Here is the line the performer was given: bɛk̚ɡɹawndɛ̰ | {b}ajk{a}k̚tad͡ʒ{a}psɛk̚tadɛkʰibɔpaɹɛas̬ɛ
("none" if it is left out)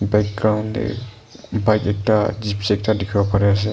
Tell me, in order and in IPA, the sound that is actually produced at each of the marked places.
b, ɛ, i

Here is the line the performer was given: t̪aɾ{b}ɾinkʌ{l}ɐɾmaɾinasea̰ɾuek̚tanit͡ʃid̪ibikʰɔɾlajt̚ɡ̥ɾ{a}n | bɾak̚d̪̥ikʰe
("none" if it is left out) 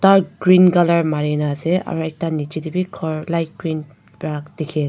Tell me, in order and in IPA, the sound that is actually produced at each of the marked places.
ɡ, l, i

